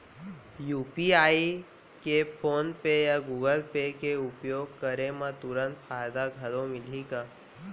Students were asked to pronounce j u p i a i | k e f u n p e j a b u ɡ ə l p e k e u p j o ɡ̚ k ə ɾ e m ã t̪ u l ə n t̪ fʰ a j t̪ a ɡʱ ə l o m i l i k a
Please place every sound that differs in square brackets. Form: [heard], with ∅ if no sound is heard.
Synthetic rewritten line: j u p i a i | k e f [o] n p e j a [ɡ] u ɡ ə l p e k e u p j o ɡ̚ k ə ɾ e m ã t̪ u [ɾ] ə n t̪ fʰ a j [d̪] a ɡʱ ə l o m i l i k a